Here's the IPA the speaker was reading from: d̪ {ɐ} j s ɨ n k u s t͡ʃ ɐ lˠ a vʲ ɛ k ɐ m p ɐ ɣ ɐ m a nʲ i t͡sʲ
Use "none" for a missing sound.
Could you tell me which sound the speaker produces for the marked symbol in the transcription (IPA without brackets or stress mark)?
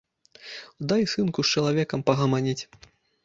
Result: a